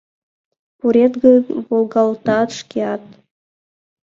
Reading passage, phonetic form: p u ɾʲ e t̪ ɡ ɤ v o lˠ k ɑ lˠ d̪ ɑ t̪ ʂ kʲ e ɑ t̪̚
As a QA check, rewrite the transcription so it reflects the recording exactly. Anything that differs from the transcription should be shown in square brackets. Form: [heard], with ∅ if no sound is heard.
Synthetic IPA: p u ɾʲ e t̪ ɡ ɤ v o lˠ [ɡ] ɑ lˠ [t̪] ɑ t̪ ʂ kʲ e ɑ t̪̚